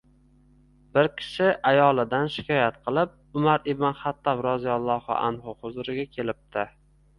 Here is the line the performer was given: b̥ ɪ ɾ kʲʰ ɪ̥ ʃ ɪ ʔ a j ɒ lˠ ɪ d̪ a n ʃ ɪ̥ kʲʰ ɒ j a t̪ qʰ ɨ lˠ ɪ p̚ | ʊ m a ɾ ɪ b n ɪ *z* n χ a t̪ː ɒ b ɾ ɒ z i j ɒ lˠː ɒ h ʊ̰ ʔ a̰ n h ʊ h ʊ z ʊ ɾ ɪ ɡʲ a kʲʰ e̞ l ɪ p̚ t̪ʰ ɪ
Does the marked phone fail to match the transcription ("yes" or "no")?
yes